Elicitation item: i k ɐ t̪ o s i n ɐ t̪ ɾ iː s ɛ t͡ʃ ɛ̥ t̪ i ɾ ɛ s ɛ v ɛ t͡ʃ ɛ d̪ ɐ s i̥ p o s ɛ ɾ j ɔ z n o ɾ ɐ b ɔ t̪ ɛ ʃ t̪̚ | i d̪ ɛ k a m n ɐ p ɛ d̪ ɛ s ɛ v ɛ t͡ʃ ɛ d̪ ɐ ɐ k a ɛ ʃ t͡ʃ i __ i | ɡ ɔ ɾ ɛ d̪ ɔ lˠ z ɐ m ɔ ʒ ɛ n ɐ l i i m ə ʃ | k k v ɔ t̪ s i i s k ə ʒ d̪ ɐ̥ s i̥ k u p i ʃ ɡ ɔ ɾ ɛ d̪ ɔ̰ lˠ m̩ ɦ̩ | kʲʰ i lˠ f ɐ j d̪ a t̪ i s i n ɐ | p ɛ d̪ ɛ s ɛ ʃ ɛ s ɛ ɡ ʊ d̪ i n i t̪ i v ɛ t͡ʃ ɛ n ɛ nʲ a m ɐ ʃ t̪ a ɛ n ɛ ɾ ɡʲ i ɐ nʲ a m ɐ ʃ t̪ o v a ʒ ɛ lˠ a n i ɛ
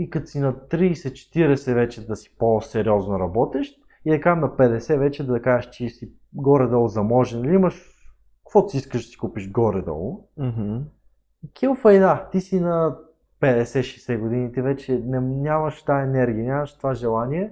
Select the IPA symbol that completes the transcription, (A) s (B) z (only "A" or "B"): A